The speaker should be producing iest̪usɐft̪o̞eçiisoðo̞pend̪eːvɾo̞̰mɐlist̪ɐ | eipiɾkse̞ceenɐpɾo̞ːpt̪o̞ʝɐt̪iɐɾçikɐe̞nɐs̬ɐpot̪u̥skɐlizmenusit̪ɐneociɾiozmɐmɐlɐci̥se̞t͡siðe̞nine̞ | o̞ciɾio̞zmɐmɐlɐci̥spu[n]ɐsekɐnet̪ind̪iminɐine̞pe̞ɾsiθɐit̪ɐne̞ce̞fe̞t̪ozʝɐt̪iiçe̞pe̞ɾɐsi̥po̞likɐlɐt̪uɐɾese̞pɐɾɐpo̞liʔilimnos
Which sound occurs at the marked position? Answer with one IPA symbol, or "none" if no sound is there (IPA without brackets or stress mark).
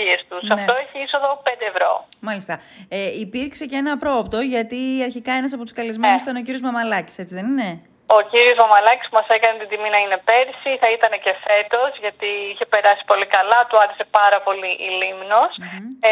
m